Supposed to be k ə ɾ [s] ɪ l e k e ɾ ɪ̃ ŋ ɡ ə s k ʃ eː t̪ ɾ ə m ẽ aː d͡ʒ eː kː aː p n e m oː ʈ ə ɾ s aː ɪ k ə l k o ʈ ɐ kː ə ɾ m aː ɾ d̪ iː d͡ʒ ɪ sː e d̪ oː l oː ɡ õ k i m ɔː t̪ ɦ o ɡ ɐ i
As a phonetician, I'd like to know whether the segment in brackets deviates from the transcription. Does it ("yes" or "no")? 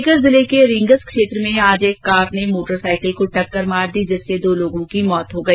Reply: yes